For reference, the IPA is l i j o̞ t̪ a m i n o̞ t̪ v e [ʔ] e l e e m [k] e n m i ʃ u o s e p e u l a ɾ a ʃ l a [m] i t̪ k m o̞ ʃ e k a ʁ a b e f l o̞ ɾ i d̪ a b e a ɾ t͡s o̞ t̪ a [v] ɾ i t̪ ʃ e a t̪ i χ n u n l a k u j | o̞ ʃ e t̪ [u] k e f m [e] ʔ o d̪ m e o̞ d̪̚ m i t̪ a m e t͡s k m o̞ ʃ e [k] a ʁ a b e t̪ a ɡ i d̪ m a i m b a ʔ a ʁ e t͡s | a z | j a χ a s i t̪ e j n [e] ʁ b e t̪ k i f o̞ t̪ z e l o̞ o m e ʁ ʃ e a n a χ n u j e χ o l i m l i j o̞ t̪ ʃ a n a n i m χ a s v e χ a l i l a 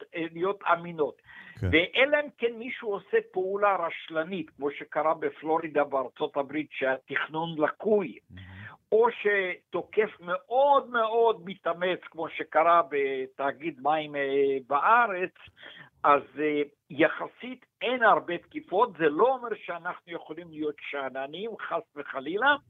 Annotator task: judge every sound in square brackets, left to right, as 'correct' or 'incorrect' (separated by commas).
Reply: correct, correct, incorrect, incorrect, incorrect, correct, correct, incorrect